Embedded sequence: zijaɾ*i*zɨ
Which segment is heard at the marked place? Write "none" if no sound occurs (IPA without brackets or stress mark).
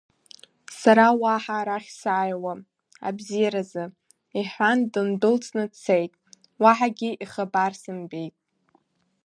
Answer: a